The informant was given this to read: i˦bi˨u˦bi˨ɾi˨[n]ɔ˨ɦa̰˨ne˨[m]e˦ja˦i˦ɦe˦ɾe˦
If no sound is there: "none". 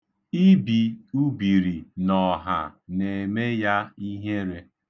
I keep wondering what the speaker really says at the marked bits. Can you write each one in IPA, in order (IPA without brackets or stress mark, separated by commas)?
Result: n, m